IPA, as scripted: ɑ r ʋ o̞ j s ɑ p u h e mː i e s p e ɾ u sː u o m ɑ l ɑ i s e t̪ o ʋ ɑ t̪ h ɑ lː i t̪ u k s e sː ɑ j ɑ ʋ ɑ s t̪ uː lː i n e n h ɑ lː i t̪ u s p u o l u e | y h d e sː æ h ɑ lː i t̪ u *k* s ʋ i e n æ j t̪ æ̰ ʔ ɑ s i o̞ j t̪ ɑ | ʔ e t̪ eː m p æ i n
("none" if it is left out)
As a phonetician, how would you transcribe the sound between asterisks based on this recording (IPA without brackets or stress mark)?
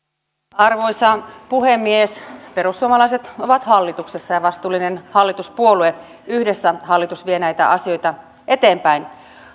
none